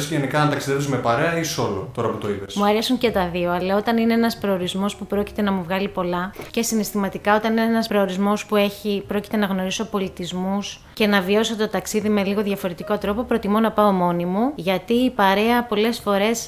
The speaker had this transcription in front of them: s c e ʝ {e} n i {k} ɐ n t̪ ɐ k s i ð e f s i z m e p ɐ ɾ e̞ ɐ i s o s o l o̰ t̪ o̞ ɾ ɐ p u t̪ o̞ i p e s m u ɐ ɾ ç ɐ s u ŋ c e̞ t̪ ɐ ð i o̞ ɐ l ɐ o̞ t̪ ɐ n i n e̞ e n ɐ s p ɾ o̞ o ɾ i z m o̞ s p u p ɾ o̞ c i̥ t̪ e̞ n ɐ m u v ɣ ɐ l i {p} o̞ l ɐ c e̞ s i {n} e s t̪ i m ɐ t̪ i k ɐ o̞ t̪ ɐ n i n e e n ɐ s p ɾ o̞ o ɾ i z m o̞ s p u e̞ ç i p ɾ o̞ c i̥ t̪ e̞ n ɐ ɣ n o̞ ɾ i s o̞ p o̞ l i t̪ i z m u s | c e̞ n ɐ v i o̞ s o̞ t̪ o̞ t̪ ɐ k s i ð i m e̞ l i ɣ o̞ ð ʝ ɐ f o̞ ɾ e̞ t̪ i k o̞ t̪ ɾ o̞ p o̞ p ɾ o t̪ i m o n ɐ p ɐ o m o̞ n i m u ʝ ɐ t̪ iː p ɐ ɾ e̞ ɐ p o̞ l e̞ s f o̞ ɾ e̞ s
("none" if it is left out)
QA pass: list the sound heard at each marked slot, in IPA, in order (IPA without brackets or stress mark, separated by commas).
e, k, p, n